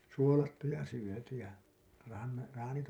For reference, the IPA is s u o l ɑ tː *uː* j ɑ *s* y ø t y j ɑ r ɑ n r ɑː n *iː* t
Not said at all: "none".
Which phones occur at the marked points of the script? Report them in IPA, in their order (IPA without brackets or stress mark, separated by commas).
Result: u, s, i